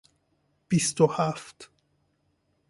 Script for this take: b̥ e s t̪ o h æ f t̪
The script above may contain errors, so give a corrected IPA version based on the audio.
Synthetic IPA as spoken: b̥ i s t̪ o h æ f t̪